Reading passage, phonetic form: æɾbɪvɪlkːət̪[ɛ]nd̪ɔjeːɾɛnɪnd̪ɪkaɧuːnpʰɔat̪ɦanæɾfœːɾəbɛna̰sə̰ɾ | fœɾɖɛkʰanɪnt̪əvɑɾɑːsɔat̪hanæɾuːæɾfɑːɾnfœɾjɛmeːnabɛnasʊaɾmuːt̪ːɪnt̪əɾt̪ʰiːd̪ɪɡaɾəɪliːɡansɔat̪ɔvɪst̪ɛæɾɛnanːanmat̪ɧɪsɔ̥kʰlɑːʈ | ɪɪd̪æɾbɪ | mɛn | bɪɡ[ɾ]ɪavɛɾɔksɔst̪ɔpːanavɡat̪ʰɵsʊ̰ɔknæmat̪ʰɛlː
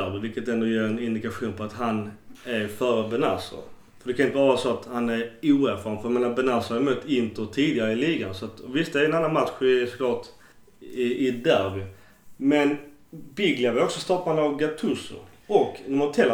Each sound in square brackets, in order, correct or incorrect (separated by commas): correct, incorrect